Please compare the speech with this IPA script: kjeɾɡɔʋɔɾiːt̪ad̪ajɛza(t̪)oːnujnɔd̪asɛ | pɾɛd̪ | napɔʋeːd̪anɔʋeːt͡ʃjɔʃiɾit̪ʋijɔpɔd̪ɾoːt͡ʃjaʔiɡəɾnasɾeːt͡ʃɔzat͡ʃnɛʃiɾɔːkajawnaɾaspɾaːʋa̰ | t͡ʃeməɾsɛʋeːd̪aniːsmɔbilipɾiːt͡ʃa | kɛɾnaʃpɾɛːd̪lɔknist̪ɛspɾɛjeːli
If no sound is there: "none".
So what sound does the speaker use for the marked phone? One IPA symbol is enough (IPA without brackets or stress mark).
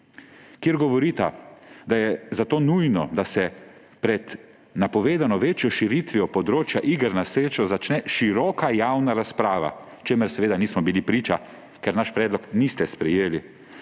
t̪